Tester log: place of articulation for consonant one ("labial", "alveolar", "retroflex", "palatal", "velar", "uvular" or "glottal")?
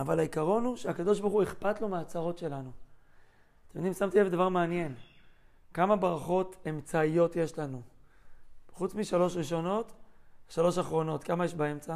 labial